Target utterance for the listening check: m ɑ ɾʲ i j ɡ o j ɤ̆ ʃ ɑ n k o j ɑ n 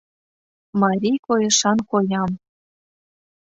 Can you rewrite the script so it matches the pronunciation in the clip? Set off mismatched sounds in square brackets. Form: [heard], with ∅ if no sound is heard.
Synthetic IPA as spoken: m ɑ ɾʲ i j [k] o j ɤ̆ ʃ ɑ n k o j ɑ [m]